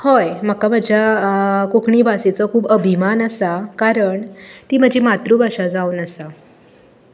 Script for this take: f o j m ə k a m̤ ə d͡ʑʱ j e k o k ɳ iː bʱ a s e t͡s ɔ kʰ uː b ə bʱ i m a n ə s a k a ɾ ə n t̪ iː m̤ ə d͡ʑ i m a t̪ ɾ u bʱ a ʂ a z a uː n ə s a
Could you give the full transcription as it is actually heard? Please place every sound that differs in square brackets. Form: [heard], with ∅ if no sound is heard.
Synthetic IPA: [h] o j m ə k a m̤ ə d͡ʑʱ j [a] k o k ɳ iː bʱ a s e t͡s ɔ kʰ uː b ə bʱ i m a n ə s a k a ɾ ə [ɳ] t̪ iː m̤ ə d͡ʑ i m a t̪ ɾ u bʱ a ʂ a [d͡z] a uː n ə s a

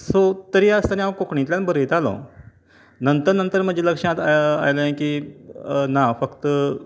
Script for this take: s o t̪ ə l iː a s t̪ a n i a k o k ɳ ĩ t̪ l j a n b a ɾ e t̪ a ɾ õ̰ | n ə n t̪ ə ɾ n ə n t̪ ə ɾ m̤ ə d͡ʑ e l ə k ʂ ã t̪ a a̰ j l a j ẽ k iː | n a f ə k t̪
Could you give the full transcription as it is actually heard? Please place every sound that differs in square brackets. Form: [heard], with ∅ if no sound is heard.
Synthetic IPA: s o t̪ ə [ɾ] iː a s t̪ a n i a k o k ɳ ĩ t̪ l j a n b [ə] ɾ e t̪ a [l] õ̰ | n ə n t̪ ə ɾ n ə n t̪ ə ɾ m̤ ə d͡ʑ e l ə k ʂ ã t̪ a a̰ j l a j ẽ k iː | n a f ə k t̪

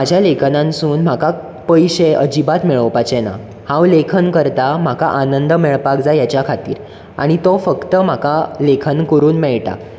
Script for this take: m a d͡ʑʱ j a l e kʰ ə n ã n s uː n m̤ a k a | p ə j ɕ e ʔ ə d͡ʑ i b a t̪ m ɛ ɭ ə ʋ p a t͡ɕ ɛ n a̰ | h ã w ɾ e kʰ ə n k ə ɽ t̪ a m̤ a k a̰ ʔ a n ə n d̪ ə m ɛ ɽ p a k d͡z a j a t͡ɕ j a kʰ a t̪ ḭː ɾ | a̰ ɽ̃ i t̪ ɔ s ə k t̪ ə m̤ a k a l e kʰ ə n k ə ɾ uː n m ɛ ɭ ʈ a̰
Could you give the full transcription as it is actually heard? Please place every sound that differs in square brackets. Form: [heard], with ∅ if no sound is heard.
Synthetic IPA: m a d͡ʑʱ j a l e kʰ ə n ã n s uː n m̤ a k a | p ə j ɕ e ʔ ə d͡ʑ i b a t̪ m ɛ ɭ ə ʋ p a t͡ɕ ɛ n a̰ | h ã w [l] e kʰ ə n k ə [ɾ] t̪ a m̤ a k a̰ ʔ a n ə n d̪ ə m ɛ [ɭ] p a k d͡z a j a t͡ɕ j a kʰ a t̪ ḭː ɾ | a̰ ɽ̃ i t̪ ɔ [f] ə k t̪ ə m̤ a k a l e kʰ ə n k ə ɾ uː n m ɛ ɭ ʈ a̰

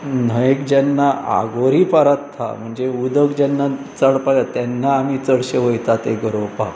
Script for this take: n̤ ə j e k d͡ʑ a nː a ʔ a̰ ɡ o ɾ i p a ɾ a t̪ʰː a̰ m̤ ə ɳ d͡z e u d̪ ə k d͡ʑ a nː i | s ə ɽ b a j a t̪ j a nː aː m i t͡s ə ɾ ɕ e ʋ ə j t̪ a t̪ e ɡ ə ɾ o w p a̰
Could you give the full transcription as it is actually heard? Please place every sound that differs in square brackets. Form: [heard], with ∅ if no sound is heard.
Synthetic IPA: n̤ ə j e k d͡ʑ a nː a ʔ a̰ ɡ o ɾ i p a ɾ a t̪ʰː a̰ m̤ ə ɳ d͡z e u d̪ ə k d͡ʑ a nː [a] | [t͡s] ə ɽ [p] a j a t̪ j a nː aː m i t͡s ə [ɽ] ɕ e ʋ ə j t̪ a t̪ e ɡ ə ɾ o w p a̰

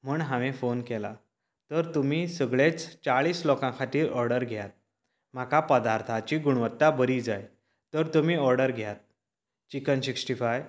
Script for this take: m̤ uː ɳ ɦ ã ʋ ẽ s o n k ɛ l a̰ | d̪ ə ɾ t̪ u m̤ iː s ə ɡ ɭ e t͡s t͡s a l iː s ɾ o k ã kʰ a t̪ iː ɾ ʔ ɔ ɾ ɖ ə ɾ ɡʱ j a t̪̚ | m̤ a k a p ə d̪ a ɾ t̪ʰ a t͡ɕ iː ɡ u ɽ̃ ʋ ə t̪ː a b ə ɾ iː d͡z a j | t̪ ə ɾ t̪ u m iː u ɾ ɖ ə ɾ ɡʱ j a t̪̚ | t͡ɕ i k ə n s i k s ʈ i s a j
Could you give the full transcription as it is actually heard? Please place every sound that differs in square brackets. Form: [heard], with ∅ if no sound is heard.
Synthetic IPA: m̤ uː ɳ ɦ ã ʋ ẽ [f] o n k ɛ l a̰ | [t̪] ə ɾ t̪ u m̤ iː s ə ɡ ɭ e t͡s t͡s a [ɭ] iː s [l] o k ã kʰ a t̪ iː ɾ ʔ ɔ ɾ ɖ ə ɾ ɡʱ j a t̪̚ | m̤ a k a p ə d̪ a ɾ t̪ʰ a t͡ɕ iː ɡ u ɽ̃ ʋ ə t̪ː a b ə ɾ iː d͡z a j | t̪ ə ɾ t̪ u m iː [ɔ] ɾ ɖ ə ɾ ɡʱ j a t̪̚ | t͡ɕ i k ə n s i k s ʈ i [f] a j

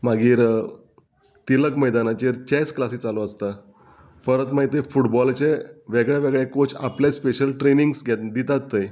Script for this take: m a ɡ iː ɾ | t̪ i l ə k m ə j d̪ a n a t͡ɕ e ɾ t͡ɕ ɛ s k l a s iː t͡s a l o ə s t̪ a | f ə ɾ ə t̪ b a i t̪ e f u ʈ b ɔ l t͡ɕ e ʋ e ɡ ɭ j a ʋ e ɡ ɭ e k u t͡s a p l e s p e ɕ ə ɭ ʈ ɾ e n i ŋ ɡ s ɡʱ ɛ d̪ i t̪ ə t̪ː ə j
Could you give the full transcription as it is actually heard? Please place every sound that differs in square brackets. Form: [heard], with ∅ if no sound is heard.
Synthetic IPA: m a ɡ iː ɾ | t̪ i l ə k m ə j d̪ a n a t͡ɕ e ɾ t͡ɕ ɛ s k l a s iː t͡s a l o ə s t̪ a | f ə ɾ ə t̪ [m] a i t̪ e f u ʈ b ɔ l t͡ɕ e ʋ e ɡ ɭ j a ʋ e ɡ ɭ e k [o] t͡s a p l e s p e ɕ ə [l] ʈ ɾ e n i ŋ ɡ s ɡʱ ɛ d̪ i t̪ [a] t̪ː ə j

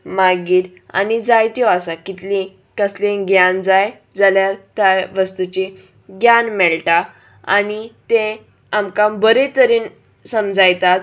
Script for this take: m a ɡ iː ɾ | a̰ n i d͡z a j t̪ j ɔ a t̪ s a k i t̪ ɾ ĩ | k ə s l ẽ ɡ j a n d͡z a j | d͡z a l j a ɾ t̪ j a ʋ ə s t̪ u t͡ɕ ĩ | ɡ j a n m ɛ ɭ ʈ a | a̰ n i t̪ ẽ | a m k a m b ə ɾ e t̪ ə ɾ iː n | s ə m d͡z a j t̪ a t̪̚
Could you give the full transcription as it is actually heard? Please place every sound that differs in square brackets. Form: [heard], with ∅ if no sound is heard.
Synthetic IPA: m a ɡ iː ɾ | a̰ n i d͡z a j t̪ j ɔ a [∅] s a k i t̪ [l] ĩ | k ə s l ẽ ɡ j a n d͡z a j | d͡z a l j a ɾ t̪ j a ʋ ə s t̪ u t͡ɕ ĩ | ɡ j a n m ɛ ɭ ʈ a | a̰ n i t̪ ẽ | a m k a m b ə ɾ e t̪ ə ɾ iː n | s ə m d͡z a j t̪ a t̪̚

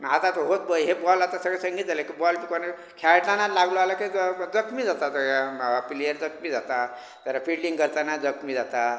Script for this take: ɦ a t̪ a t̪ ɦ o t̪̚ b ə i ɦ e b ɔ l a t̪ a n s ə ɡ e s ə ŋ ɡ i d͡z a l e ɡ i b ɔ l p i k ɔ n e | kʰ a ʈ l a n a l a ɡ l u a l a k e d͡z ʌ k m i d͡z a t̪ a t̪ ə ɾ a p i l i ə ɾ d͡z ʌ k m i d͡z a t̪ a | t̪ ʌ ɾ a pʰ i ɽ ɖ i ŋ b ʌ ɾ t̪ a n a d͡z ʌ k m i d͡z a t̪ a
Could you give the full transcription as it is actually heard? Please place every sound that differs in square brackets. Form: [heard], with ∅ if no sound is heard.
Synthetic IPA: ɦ a t̪ a t̪ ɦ o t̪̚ b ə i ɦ e b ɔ l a t̪ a [∅] s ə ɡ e s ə ŋ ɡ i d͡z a l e [k] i b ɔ l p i k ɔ n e | kʰ a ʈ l a n a l a ɡ l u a l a k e d͡z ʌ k m i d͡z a t̪ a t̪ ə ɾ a p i l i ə ɾ d͡z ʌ k m i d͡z a t̪ a | t̪ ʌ ɾ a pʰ i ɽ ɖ i ŋ [ɡ] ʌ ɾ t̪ a n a d͡z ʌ k m i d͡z a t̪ a

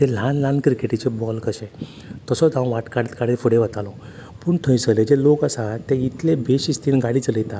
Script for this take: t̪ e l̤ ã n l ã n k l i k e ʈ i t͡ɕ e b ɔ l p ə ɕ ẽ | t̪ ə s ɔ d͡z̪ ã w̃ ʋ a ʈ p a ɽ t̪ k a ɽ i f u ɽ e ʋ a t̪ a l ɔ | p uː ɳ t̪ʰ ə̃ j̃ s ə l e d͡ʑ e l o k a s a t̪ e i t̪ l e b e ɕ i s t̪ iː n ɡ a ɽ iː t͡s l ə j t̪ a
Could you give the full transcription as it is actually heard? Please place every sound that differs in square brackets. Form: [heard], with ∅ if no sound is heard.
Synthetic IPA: t̪ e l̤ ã n l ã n k [ɾ] i k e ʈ i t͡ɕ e b ɔ l [k] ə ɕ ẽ | t̪ ə s ɔ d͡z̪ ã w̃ ʋ a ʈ [k] a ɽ t̪ k a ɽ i f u ɽ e ʋ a t̪ a l ɔ | p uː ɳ t̪ʰ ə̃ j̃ s ə l e d͡ʑ e l o k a s a t̪ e i t̪ l e b e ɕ i s t̪ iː n ɡ a ɽ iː t͡s l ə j t̪ a

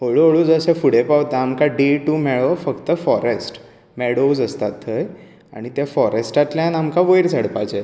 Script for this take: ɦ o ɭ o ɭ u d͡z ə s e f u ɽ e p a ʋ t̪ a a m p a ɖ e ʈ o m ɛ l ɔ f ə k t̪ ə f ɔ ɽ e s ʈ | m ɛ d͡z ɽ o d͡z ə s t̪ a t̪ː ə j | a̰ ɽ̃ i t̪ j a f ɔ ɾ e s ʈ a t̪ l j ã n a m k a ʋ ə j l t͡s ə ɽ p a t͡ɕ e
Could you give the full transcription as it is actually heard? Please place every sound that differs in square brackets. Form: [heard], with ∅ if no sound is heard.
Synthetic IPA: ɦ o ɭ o ɭ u d͡z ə s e f u ɽ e p a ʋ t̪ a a m [k] a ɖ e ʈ [u] m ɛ [ɭ] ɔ f ə k t̪ ə f ɔ [ɾ] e s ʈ | m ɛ [∅] ɽ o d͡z ə s t̪ a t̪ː ə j | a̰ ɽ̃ i t̪ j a f ɔ ɾ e s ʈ a t̪ l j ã n a m k a ʋ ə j [ɾ] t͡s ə ɽ p a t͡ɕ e

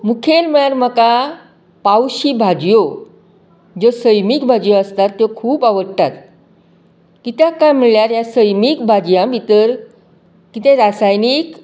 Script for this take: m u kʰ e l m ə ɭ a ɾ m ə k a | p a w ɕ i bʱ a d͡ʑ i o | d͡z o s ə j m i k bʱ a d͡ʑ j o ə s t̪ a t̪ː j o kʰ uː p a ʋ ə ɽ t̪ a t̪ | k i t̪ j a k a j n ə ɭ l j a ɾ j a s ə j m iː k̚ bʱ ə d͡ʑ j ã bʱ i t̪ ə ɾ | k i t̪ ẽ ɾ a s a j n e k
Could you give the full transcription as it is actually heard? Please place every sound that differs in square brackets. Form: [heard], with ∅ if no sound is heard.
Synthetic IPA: m u kʰ e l m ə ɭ a ɾ m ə k a | p a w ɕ i bʱ a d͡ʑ [j] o | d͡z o s ə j m i k bʱ a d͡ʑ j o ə s t̪ a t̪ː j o kʰ uː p a ʋ ə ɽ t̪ a t̪ | k i t̪ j a k a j [m] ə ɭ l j a ɾ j a s ə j m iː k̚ bʱ [a] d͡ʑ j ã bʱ i t̪ ə ɾ | k i t̪ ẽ ɾ a s a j n [i] k

